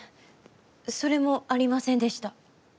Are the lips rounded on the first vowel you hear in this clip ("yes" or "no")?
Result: yes